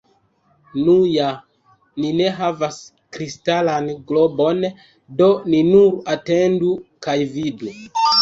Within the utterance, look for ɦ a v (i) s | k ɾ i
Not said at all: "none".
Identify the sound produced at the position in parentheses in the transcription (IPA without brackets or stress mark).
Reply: a